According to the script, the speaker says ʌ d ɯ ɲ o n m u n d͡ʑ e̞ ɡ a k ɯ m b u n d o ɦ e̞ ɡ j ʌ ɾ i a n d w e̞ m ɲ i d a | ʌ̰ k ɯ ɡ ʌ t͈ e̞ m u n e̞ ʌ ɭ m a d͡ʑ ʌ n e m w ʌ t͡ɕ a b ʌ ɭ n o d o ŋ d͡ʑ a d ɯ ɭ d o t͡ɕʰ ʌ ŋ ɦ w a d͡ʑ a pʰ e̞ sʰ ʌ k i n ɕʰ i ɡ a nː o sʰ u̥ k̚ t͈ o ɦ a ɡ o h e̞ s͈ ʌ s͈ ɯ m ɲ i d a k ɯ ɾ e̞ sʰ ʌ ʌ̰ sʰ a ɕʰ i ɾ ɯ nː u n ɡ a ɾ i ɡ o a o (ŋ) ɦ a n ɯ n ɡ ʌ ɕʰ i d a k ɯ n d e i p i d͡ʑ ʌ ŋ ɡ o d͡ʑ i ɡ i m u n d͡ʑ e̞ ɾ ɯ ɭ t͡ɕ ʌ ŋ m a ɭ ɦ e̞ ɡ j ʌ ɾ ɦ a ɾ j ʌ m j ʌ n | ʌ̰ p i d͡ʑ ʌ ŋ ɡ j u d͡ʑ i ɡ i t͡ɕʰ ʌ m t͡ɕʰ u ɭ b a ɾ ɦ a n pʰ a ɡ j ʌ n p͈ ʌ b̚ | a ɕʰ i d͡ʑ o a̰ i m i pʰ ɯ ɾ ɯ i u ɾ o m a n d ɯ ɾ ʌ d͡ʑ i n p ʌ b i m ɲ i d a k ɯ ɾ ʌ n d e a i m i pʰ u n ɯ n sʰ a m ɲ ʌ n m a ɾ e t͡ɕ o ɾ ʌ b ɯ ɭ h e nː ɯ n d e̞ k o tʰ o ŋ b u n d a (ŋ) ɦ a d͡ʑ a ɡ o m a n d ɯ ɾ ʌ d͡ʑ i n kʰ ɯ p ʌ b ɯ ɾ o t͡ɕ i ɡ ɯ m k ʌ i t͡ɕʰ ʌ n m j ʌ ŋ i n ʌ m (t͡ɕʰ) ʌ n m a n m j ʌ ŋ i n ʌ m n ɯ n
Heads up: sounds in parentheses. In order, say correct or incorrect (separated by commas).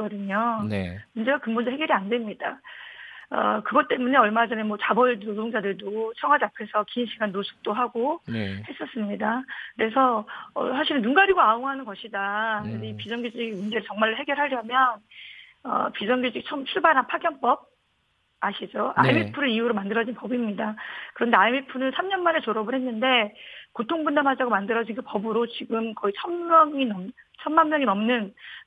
correct, incorrect, correct